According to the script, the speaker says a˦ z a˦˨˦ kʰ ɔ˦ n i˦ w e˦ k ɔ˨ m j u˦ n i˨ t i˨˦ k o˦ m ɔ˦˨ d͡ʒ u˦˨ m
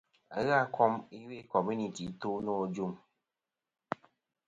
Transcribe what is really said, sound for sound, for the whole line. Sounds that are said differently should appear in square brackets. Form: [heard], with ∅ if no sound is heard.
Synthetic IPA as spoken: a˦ [ɣ] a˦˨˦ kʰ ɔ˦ [m] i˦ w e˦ k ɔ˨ m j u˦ n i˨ t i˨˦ [t] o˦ [n] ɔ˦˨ d͡ʒ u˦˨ m